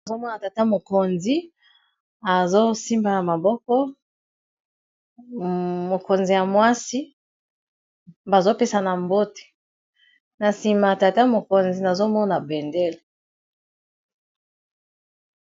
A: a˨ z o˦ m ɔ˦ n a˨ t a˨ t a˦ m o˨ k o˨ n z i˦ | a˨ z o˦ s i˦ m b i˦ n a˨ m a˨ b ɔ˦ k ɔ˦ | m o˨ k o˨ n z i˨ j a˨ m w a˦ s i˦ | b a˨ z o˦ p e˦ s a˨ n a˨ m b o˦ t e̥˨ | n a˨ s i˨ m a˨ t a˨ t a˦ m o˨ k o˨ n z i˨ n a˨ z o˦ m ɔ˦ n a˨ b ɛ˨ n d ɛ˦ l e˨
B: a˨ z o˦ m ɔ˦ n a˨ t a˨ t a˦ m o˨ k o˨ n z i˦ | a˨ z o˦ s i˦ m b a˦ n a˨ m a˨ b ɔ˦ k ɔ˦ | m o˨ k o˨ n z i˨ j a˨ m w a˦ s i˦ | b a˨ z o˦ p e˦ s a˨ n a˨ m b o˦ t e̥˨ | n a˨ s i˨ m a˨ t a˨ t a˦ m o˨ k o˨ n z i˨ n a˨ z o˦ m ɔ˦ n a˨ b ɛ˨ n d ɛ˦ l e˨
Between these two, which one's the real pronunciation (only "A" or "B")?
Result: B